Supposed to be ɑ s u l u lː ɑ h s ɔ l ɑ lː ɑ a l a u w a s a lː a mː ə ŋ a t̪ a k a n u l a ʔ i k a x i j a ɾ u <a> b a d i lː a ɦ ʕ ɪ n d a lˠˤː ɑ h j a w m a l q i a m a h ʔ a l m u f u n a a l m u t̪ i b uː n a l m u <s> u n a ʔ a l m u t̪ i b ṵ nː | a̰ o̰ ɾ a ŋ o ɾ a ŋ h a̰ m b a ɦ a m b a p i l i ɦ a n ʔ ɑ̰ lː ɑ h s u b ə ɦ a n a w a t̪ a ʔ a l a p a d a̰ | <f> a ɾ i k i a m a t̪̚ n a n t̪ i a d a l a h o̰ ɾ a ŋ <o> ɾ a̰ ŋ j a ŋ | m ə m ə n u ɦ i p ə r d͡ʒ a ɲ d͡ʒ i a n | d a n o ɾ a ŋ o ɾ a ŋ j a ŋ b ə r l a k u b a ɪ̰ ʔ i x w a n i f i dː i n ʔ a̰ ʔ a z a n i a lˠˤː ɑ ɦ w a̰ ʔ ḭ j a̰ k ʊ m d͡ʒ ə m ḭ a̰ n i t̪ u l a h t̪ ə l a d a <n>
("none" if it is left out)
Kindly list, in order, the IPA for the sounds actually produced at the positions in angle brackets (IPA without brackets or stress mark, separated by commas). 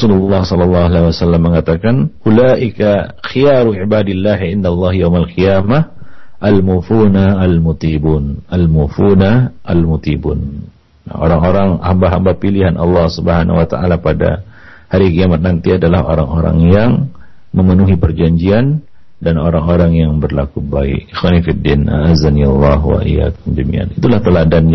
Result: i, f, h, o, n